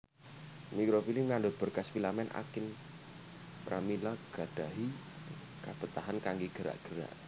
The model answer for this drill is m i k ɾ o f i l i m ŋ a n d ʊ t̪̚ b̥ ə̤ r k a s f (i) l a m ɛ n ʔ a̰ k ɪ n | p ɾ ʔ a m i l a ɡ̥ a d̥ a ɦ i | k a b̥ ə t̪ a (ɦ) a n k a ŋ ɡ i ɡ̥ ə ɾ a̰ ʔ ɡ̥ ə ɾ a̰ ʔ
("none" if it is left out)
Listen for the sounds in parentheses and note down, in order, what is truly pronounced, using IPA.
i, ɦ

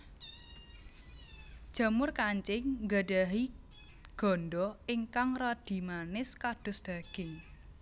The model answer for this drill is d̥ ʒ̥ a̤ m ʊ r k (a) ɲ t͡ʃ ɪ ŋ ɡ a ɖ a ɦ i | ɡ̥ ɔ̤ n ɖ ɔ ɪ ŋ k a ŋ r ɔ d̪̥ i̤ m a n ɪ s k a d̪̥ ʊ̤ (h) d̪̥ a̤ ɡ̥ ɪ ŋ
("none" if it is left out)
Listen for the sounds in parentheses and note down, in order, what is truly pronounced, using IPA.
a, s

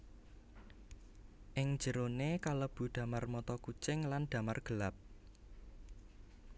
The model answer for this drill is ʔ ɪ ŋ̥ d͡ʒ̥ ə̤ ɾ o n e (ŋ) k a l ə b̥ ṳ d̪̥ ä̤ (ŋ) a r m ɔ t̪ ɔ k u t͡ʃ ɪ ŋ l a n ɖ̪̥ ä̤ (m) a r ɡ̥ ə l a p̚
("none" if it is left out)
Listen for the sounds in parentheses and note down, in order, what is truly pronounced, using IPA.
none, m, m

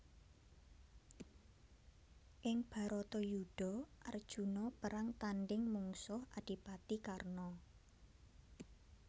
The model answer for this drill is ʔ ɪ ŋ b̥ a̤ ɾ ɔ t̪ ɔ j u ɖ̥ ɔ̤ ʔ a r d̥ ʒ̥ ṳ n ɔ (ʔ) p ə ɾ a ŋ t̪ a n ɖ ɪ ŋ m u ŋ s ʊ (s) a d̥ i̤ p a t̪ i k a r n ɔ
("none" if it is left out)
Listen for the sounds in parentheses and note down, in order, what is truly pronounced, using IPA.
none, h

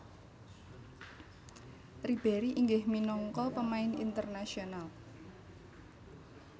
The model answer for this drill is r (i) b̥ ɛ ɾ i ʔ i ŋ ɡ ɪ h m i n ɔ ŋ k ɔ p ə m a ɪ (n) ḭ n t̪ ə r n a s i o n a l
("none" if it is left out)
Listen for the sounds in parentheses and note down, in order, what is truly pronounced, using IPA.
i, n

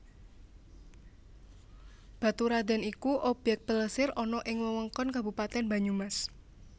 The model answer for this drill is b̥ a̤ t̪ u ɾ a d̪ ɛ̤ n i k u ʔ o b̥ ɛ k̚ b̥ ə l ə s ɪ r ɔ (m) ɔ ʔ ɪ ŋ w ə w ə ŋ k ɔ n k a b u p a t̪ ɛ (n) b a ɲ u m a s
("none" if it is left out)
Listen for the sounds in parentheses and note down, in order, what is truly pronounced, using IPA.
n, n

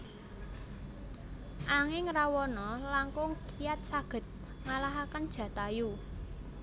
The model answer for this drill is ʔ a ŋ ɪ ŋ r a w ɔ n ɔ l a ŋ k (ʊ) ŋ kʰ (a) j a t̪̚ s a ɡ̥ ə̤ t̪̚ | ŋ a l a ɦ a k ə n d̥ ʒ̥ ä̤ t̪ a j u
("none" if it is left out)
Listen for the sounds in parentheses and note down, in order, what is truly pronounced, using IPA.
ʊ, i

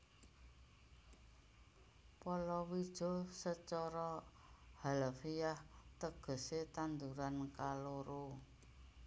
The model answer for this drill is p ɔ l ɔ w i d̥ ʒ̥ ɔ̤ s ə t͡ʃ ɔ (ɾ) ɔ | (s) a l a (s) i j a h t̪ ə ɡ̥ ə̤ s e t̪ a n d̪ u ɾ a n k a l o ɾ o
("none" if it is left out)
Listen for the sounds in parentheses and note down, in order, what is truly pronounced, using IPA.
ɾ, h, f

